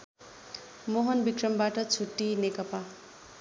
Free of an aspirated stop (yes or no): no